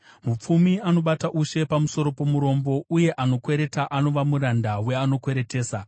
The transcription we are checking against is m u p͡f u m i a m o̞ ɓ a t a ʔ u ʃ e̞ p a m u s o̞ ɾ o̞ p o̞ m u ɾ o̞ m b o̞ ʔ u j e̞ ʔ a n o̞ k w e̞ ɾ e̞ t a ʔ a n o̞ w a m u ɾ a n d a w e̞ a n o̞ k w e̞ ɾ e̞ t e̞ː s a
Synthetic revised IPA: m u p͡f u m i a n o̞ ɓ a t a ʔ u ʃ e̞ p a m u s o̞ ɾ o̞ p o̞ m u ɾ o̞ m b o̞ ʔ u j e̞ ʔ a n o̞ k w e̞ ɾ e̞ t a ʔ a n o̞ ʋ a m u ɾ a n d a w e̞ a n o̞ k w e̞ ɾ e̞ t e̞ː s a

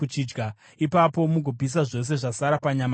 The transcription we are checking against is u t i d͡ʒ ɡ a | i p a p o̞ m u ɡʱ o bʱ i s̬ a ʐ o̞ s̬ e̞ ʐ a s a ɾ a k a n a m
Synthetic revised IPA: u t͡ʃ i d͡ʒ ɡ a | i p a p o̞ m u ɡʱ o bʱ i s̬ a ʐ o̞ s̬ e̞ ʐ a s a ɾ a p a ɲ a m

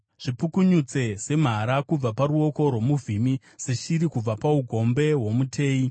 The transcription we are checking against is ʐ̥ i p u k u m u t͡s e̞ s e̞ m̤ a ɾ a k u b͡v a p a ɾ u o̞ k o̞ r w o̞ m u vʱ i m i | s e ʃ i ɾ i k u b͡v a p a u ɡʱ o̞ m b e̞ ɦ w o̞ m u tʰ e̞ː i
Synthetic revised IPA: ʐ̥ i p u k u ɲ u t͡s e̞ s e̞ m̤ a ɾ a k u b͡v a p a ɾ u o̞ k o̞ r w o̞ m u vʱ i m i | s e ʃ i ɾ i k u b͡v a p a u ɡʱ o̞ m b e̞ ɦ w o̞ m u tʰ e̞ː i

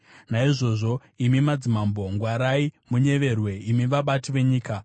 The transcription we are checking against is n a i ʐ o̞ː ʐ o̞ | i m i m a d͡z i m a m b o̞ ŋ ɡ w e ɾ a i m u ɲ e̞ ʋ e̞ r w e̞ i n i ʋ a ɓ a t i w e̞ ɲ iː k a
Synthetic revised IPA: n a i ʐ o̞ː ʐ o̞ | i m i m a d͡z i m a m b o̞ ŋ ɡ w a ɾ a i m u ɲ e̞ ʋ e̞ r w e̞ i m i ʋ a ɓ a t i ʋ e̞ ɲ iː k a

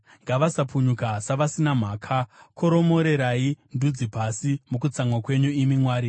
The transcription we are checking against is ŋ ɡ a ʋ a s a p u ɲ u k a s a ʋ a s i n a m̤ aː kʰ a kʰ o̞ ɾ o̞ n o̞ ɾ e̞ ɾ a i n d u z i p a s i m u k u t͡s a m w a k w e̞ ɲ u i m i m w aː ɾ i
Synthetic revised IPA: ŋ ɡ a ʋ a s a p u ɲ u k a s a ʋ a s i n a m̤ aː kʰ a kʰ o̞ ɾ o̞ m o̞ ɾ e̞ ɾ a i n d u d͡z i p a s i m u k u t͡s a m w a k w e̞ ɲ u i m i m w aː ɾ i

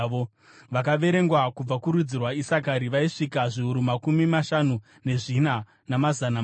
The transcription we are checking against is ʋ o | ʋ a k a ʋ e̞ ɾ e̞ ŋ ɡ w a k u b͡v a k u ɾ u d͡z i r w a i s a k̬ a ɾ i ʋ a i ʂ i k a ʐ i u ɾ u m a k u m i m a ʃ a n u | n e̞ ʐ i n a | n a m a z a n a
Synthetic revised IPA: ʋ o | ʋ a k a ʋ e̞ ɾ e̞ ŋ ɡ w a k u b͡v a k u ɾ u d͡z i r w a i s a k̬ a ɾ i ʋ a i ʂ i k a ʐ i u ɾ u m a k u m i m a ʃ a n u | n e̞ ʐ i n a | n a m a z a n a

